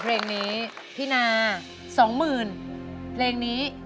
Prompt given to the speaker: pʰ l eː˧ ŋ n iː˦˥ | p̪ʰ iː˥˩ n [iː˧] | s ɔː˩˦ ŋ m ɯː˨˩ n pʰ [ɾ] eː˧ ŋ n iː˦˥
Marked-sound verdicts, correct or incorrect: incorrect: aː˧, incorrect: l

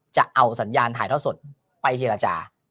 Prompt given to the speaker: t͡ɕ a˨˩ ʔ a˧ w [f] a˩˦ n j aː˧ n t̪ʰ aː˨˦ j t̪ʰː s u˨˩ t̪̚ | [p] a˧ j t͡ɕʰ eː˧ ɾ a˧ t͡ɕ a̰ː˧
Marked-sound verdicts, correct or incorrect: incorrect: s, correct

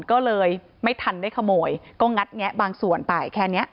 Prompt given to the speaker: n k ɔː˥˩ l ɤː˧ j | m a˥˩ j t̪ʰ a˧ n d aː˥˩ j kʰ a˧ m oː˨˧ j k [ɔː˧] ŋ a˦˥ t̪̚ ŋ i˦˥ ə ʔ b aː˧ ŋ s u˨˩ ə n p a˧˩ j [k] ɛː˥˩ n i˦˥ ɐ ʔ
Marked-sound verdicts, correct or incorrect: incorrect: ɔː˥˩, incorrect: kʰ

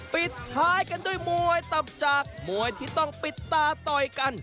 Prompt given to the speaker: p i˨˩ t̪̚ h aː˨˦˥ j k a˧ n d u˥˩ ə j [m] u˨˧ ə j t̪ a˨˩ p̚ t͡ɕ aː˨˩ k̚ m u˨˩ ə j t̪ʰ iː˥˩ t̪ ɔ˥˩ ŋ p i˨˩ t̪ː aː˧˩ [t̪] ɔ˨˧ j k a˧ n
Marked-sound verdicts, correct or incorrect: correct, correct

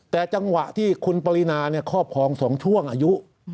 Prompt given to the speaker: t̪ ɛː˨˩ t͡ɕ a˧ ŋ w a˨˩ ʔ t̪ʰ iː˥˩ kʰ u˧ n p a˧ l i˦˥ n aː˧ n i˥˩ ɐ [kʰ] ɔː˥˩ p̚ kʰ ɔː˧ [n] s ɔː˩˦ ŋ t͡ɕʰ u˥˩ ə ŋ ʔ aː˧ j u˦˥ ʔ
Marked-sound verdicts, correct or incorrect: correct, incorrect: ŋ

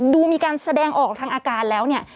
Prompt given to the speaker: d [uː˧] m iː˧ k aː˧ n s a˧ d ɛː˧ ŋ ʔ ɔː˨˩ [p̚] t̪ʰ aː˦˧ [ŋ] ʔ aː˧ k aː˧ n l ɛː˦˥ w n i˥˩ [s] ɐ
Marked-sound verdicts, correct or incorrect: correct, incorrect: k̚, correct, incorrect: none

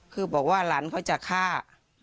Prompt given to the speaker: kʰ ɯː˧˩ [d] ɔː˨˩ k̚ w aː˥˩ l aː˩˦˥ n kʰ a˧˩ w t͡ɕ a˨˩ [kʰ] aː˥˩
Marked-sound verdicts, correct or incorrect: incorrect: b, correct

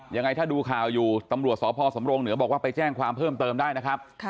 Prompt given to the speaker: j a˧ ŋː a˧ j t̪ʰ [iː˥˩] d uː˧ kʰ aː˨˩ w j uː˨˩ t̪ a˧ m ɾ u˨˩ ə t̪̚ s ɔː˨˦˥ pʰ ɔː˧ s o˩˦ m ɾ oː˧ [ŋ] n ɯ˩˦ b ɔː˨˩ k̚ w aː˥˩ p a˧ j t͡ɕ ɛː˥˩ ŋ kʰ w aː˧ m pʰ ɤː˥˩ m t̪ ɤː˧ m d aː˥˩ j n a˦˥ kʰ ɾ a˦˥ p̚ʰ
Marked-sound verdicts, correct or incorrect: incorrect: aː˥˩, correct

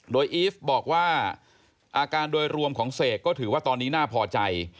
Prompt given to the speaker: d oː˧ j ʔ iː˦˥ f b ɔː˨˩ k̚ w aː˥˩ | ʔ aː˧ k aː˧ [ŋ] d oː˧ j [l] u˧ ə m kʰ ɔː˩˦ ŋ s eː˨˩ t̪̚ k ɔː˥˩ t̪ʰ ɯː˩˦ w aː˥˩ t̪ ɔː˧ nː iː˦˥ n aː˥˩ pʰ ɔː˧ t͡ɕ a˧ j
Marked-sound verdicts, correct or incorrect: incorrect: n, incorrect: ɾ

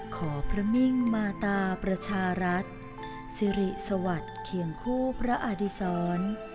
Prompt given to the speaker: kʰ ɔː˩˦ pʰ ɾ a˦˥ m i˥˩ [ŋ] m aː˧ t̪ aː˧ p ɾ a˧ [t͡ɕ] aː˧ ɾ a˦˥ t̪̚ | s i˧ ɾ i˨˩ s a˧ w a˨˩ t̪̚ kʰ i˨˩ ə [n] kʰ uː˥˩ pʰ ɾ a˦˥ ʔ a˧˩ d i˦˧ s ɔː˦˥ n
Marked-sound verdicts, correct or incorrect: correct, incorrect: t͡ɕʰ, incorrect: ŋ

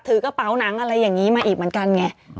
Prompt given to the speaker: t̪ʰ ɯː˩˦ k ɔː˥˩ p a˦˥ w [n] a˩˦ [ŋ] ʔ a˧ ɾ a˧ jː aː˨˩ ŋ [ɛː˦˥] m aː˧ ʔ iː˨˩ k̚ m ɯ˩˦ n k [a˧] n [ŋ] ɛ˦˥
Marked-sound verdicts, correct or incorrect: correct, correct, incorrect: iː˦˥, correct, correct

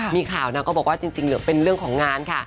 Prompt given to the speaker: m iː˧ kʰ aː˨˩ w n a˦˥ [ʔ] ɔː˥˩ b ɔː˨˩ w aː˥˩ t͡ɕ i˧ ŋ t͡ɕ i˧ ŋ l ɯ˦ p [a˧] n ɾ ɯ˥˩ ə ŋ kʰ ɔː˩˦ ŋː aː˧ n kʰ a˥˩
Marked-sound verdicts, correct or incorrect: incorrect: k, incorrect: e˧

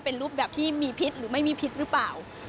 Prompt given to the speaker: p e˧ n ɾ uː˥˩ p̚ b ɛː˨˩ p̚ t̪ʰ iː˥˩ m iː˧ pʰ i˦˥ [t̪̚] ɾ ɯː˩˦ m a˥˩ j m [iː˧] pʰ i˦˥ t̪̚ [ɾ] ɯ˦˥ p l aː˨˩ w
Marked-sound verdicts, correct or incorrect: correct, correct, correct

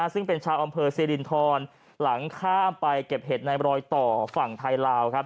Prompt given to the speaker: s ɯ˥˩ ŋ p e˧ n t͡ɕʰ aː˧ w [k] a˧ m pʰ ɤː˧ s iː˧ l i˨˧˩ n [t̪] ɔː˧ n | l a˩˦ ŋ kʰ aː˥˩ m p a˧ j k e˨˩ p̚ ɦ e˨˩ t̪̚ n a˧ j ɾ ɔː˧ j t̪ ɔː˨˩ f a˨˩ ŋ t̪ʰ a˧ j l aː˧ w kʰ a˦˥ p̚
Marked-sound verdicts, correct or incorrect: incorrect: ʔ, incorrect: t̪ʰ

